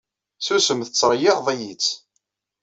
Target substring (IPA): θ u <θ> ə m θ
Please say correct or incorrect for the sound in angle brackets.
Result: incorrect